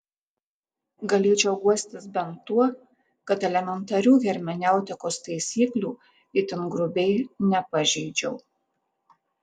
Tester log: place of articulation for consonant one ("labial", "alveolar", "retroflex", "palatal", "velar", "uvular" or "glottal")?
velar